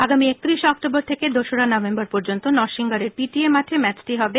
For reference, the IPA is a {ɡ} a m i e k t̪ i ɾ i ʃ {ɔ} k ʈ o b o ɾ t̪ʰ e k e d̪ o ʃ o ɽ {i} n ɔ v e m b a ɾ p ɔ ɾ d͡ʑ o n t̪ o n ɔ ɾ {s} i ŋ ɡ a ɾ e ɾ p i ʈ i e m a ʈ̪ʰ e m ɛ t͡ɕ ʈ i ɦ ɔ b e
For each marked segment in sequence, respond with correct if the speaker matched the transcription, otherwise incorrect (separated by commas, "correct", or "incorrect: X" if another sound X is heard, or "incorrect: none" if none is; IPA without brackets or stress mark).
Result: correct, correct, incorrect: a, incorrect: ʃ